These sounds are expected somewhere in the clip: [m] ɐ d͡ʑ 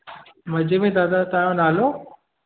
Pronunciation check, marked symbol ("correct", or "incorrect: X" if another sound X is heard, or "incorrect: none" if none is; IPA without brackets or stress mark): correct